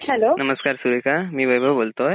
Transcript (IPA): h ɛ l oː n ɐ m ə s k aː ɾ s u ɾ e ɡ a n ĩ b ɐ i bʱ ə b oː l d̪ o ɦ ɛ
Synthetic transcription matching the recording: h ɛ l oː n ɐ m ə s k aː ɾ s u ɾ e k a m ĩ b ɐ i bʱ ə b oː l t̪ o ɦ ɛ

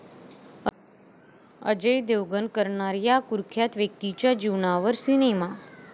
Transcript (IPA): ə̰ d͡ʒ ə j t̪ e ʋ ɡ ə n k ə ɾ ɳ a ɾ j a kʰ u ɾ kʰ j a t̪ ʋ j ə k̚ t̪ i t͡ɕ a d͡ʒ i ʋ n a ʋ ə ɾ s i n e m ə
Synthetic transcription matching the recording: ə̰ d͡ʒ ə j d̪ e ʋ ɡ ə n k ə ɾ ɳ a ɾ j a k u ɾ kʰ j a t̪ ʋ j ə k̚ t̪ i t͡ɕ a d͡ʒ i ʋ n a ʋ ə ɾ s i n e m a

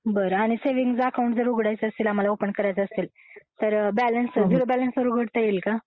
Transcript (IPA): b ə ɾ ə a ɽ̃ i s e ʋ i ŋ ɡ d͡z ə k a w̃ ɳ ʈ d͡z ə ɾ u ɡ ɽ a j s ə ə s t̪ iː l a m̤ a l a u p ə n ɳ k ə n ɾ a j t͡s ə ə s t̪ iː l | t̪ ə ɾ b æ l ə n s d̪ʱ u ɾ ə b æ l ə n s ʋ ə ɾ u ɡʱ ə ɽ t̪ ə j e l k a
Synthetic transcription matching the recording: b ə ɾ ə a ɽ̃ i s e ʋ i ŋ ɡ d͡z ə k a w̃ ɳ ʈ d͡z ə ɾ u ɡ ɽ a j t͡s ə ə s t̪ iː l a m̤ a l a o p ə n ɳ k ə ɾ a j t͡s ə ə s t̪ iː l | t̪ ə ɾ b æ l ə n s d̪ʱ u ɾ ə b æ l ə n s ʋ ə ɾ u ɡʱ ə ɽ t̪ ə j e l k a

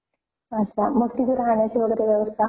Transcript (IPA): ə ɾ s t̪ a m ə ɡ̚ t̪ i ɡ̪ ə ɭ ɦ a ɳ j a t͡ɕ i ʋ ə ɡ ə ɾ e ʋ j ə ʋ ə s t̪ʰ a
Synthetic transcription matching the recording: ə s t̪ a m ə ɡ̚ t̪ i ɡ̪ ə ɾ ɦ a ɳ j a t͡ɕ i ʋ ə ɡ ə ɾ e ʋ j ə ʋ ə s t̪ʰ a

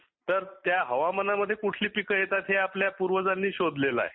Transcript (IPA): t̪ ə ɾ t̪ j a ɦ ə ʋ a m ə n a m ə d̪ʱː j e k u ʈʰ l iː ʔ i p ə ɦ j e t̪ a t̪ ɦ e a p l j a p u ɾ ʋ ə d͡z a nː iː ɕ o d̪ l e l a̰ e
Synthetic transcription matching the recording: t̪ ə ɾ t̪ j a ɦ ə ʋ a m ə n a m ə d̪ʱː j e k u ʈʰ l iː p i k ə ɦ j e t̪ a t̪ ɦ e a p l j a p u ɾ ʋ ə d͡z a nː iː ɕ o d̪ l e l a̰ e

